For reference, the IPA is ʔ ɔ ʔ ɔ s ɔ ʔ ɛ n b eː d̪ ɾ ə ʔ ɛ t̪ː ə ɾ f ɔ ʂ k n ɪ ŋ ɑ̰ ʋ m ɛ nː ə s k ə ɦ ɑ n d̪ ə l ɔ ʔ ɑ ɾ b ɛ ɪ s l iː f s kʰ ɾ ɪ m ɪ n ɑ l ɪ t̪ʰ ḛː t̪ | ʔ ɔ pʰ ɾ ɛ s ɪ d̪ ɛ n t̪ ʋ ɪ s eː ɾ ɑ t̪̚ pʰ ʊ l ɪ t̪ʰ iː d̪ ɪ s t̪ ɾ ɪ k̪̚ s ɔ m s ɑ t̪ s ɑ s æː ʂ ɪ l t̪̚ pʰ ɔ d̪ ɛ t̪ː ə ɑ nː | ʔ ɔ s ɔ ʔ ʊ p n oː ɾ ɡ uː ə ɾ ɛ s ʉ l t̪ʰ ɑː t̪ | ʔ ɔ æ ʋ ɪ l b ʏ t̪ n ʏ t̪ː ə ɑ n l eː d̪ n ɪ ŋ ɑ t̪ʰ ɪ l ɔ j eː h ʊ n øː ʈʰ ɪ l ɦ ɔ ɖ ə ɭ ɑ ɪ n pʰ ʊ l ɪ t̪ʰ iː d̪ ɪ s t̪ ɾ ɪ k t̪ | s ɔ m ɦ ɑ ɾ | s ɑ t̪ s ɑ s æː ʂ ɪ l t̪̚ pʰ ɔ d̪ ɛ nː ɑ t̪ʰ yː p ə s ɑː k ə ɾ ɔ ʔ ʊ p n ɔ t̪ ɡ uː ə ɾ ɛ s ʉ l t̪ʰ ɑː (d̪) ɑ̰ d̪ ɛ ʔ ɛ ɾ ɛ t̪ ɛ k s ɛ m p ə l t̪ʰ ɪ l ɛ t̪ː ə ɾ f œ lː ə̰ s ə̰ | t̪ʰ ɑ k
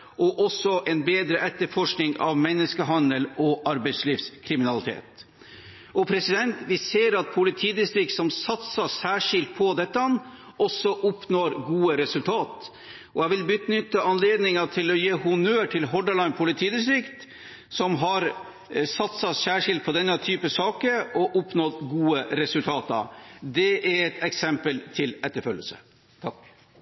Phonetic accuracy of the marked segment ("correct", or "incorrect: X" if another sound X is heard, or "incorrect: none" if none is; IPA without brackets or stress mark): incorrect: t̪